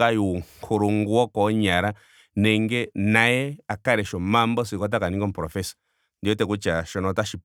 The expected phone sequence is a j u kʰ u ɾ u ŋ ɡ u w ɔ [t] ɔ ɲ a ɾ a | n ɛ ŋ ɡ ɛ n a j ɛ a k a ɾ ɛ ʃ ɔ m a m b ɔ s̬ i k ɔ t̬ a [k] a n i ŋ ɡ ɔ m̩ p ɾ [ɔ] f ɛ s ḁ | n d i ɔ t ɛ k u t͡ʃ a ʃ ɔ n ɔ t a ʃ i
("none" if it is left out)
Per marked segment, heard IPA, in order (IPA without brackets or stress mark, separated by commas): k, k, ɔ